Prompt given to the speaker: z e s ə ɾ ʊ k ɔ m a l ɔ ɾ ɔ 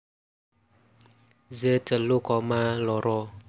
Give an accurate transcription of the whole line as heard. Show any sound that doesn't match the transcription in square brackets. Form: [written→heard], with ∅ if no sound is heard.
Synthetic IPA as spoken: z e [s→t] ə [ɾ→l] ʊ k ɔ m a l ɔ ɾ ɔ